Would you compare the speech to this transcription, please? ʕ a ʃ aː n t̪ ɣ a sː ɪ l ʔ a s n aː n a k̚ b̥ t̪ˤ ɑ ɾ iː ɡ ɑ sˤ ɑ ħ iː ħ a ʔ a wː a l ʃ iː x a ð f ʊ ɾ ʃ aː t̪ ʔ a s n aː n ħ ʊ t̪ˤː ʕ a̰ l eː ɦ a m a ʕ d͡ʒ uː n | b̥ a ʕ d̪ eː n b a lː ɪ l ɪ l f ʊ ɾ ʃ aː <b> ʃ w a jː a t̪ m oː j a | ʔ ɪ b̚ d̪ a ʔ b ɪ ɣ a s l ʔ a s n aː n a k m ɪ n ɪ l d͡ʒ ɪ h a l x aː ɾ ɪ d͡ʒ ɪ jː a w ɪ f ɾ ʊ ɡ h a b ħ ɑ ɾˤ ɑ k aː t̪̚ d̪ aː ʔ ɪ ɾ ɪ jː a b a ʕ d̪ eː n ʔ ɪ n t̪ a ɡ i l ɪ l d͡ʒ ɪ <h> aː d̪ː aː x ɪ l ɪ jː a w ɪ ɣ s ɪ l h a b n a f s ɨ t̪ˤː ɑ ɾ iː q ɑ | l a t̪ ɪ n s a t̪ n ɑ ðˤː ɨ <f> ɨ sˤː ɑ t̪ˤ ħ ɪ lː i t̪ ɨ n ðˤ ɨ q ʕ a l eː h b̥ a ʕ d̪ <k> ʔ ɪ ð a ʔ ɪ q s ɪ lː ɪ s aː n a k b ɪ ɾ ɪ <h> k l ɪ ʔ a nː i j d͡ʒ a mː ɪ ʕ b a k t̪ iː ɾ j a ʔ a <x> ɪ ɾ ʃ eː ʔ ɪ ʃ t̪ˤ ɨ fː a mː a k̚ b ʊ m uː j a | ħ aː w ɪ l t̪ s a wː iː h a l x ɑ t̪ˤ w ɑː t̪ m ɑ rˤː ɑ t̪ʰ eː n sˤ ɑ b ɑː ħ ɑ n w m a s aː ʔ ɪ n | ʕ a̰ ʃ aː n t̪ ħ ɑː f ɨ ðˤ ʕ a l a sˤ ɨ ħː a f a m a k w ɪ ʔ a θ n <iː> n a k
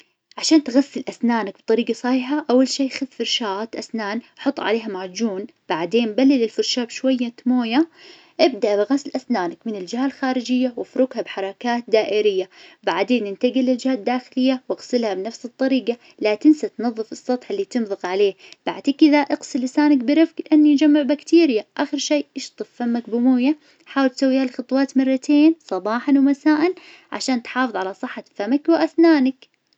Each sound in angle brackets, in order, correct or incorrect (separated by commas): correct, correct, correct, correct, incorrect, correct, incorrect